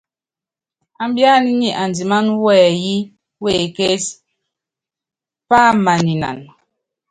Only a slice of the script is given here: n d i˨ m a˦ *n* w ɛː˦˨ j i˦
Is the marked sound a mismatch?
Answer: no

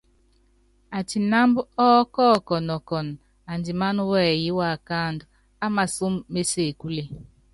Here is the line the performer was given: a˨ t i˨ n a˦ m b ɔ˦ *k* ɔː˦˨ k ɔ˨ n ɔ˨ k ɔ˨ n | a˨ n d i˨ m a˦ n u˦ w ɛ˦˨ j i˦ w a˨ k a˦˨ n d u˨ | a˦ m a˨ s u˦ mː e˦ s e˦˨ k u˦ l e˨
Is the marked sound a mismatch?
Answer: no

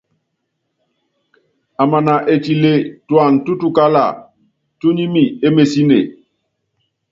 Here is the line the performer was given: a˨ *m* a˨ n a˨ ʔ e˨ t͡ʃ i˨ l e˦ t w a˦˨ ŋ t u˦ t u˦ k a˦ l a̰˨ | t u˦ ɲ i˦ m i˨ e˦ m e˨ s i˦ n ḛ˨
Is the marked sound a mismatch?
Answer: no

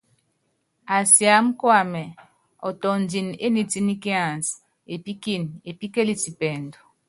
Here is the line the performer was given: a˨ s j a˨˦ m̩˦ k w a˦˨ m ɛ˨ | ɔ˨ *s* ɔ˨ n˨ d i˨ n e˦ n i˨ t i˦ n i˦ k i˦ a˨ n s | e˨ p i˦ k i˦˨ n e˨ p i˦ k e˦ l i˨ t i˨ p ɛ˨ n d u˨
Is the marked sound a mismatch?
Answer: yes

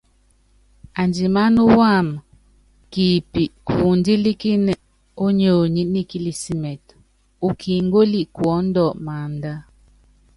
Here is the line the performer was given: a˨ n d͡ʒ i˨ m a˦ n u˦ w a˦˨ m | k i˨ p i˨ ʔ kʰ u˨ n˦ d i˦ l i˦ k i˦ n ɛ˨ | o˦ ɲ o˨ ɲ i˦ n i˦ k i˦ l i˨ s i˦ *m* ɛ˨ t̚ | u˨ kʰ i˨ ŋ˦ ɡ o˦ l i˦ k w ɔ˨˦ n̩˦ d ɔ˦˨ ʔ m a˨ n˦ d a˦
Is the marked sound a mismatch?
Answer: no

